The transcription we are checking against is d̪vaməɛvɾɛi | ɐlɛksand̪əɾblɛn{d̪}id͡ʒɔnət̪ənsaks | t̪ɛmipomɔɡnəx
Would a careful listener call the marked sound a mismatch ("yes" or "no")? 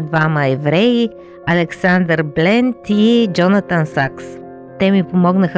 yes